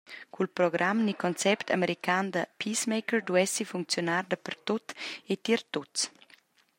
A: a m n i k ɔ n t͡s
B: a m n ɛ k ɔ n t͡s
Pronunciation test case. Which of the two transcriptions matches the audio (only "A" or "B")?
A